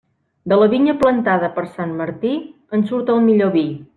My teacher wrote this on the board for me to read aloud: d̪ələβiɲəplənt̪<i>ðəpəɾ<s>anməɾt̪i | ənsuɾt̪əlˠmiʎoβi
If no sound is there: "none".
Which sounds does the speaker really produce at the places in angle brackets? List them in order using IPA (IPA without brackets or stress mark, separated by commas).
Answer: a, s